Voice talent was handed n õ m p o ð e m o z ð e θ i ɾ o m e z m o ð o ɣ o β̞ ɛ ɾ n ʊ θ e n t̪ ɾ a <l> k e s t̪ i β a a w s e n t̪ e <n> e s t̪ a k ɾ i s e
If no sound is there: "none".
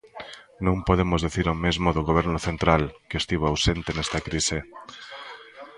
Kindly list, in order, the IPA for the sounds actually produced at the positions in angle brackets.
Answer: l, n

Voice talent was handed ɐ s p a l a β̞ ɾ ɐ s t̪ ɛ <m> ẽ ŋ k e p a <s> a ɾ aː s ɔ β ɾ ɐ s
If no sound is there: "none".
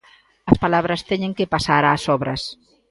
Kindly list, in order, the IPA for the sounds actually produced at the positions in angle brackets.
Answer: ɲ, s

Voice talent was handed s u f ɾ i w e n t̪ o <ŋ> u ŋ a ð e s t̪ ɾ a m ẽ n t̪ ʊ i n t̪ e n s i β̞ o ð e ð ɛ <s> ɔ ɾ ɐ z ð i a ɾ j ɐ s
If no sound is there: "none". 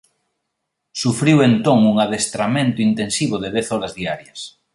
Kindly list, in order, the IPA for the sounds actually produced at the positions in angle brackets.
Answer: ŋ, θ

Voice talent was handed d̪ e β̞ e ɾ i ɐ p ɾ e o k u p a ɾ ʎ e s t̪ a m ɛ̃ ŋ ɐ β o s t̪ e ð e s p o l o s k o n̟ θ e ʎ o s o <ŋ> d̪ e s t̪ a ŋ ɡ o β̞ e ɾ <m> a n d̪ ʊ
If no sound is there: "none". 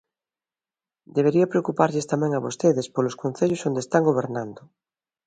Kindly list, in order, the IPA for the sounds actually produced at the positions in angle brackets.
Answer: n, n

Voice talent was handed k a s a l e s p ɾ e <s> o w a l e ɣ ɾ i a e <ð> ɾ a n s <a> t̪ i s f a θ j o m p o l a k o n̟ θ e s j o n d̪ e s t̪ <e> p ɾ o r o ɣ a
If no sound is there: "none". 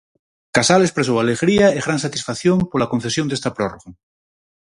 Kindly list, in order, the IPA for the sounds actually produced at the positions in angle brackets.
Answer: s, ɣ, a, a

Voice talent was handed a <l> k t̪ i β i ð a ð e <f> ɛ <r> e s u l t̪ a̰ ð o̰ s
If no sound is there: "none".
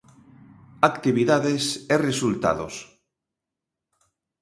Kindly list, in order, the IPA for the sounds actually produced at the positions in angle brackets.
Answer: none, s, r

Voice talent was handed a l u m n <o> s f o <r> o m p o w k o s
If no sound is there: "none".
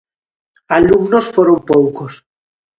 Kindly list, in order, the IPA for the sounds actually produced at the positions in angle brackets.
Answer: o, ɾ

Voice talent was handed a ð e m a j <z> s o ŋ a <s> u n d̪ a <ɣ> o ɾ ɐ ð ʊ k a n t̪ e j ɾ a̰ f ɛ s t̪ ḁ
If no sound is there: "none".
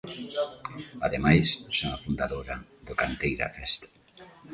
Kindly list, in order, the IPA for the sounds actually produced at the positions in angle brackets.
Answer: s, f, ð

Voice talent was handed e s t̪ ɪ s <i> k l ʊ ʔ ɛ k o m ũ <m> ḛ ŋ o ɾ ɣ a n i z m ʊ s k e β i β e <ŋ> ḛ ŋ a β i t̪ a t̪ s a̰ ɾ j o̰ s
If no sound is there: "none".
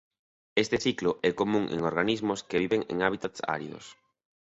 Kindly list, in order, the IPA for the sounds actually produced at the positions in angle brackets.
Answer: i, ŋ, ŋ

